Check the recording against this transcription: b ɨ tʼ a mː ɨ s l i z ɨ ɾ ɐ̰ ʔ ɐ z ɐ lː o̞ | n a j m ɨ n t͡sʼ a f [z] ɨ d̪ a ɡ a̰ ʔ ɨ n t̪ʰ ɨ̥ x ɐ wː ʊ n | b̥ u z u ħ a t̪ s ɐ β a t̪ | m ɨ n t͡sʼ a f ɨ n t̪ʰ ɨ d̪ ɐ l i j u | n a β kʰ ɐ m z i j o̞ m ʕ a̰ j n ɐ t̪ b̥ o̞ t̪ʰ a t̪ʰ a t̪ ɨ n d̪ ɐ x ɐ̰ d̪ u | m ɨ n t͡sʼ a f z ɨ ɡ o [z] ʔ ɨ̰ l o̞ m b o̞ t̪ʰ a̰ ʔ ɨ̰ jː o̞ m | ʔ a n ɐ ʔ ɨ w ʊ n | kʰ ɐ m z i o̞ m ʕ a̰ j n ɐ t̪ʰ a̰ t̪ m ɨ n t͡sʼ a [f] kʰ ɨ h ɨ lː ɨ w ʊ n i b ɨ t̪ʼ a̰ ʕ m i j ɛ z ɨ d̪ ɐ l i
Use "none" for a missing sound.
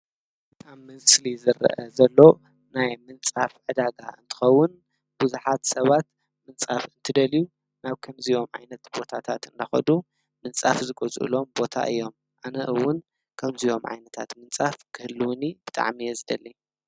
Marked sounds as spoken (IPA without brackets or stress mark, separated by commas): ʕ, z, f